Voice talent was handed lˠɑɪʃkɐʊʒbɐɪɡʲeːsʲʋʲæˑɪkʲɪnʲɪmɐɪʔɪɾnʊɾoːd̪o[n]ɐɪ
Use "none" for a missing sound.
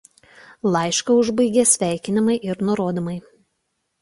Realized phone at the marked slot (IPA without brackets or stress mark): m